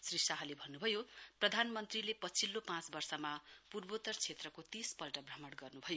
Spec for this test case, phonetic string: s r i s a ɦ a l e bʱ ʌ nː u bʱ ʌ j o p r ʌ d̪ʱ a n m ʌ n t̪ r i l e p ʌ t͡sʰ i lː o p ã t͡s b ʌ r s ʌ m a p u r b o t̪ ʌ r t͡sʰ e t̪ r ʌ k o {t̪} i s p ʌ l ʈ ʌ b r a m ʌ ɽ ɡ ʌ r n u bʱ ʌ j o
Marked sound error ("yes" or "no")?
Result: no